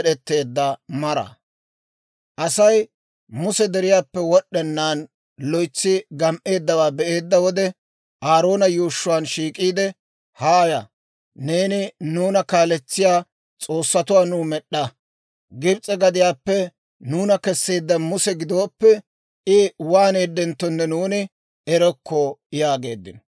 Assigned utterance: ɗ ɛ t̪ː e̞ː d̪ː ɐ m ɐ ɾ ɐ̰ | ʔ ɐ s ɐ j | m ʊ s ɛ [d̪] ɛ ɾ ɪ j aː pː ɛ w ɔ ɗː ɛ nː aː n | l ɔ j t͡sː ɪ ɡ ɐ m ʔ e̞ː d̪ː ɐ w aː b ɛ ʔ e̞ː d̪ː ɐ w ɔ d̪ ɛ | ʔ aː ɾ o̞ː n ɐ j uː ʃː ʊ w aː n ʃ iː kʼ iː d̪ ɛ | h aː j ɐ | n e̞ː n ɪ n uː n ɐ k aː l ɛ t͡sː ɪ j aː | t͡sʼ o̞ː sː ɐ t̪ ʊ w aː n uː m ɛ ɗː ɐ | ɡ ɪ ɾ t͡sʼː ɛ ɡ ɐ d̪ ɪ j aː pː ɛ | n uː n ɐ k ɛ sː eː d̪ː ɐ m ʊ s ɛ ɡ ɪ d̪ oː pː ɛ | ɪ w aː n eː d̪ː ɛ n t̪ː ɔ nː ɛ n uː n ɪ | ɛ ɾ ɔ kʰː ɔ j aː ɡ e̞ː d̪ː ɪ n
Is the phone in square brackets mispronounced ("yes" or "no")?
no